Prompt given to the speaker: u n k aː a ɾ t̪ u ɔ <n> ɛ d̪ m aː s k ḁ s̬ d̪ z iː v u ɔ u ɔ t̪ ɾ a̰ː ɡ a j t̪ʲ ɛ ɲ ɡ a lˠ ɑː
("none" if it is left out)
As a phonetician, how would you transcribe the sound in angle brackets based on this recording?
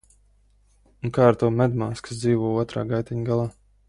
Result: m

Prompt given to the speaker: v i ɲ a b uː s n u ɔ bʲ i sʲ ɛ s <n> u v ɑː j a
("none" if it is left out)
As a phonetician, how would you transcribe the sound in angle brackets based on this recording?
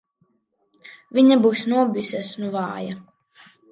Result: n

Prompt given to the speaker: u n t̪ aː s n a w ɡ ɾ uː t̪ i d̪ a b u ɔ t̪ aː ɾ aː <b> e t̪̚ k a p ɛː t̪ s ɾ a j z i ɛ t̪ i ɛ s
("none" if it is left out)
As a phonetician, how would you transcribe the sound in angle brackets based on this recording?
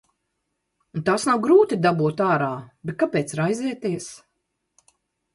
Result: b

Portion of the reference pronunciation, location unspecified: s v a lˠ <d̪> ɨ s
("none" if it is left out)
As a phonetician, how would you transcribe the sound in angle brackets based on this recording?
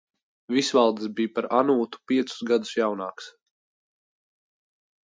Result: d̪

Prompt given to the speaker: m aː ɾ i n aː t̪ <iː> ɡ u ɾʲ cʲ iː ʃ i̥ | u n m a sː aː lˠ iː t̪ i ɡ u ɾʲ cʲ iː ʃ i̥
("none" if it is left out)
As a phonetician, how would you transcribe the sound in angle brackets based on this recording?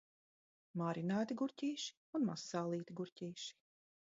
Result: i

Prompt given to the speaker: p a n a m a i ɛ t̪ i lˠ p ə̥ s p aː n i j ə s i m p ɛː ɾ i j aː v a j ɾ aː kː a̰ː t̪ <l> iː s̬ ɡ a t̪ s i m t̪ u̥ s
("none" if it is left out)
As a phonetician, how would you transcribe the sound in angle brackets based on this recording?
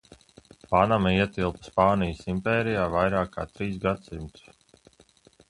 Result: ɾ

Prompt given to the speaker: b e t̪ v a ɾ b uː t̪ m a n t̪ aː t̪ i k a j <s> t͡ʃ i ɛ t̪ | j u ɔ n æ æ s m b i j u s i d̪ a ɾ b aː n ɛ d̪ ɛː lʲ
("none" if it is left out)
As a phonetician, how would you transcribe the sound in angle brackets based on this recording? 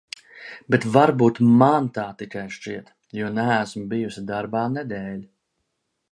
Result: ʃ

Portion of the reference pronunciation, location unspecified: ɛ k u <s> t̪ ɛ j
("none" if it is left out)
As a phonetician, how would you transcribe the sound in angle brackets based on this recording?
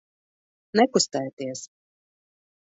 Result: s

